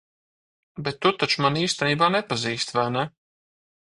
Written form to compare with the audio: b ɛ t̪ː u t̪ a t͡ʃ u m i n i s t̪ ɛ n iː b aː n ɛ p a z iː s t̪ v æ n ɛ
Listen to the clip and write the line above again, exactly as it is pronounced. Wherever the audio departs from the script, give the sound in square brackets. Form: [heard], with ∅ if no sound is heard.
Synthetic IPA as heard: b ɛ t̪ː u t̪ a t͡ʃ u m [a] n [iː] s t̪ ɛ n iː b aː n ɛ p a z iː s t̪ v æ n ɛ